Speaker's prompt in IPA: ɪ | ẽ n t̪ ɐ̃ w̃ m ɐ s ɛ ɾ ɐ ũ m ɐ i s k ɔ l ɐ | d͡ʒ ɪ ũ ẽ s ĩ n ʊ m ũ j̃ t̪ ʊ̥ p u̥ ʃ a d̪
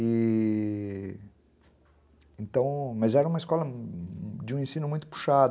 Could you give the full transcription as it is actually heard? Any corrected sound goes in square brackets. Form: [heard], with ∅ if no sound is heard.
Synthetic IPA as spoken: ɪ | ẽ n t̪ ɐ̃ w̃ m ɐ [z] ɛ ɾ ɐ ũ m ɐ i s k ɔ l ɐ | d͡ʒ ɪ ũ ẽ s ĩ n ʊ m ũ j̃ t̪ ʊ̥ p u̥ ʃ a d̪